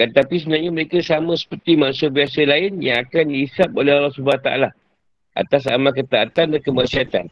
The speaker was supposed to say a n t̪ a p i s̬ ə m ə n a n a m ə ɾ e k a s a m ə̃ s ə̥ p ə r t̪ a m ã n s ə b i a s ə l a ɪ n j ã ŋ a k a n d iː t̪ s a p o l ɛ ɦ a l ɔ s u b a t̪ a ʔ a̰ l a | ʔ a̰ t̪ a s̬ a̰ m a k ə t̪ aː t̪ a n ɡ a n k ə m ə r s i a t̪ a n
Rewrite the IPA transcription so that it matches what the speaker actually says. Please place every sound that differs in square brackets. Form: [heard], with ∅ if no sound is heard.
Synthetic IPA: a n t̪ a p i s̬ ə [b] ə n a [ɲ] a m ə ɾ e k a s a m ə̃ s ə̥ p ə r t̪ [i] m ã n s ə b i a s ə l a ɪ n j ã ŋ a k a n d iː [∅] s a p o l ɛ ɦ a l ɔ s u b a t̪ a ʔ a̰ l a | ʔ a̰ t̪ a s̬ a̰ m a k ə t̪ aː t̪ a n [d] a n k ə m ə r s i a t̪ a n